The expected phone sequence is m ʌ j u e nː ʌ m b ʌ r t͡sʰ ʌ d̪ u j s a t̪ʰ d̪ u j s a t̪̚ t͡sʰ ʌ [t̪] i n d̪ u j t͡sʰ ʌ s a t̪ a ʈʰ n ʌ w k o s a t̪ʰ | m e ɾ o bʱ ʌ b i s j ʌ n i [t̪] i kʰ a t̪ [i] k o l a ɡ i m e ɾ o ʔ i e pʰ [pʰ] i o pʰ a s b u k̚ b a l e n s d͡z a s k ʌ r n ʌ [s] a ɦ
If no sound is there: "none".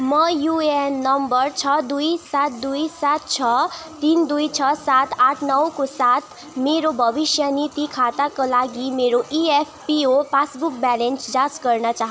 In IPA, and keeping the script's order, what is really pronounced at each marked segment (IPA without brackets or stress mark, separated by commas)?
t̪, t̪, a, p, t͡s